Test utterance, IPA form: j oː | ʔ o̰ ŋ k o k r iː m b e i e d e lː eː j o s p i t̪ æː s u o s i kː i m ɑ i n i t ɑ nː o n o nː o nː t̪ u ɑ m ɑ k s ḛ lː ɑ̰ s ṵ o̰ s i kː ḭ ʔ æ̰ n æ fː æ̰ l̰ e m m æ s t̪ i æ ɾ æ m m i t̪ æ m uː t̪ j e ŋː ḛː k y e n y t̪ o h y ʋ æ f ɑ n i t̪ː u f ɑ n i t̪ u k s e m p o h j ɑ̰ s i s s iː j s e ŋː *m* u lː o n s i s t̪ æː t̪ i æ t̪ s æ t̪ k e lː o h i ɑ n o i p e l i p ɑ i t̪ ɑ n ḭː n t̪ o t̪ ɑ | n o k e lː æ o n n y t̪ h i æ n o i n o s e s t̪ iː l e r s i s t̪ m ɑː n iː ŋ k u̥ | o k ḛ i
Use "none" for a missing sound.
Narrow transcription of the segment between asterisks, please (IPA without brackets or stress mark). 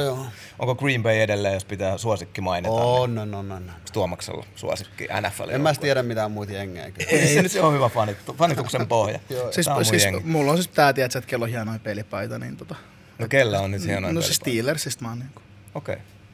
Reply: m